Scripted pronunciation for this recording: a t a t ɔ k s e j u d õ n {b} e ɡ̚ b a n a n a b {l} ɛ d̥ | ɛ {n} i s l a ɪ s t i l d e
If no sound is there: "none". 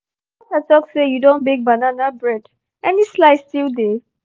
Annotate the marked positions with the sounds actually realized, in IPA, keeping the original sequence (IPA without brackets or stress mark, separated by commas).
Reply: b, ɹ, n